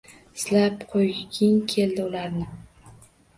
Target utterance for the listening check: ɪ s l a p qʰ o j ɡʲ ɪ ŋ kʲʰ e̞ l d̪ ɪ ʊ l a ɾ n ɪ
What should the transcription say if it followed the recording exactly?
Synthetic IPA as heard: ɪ s l a p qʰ o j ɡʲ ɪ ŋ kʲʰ e̞ l d̪ ɪ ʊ l a ɾ n ɪ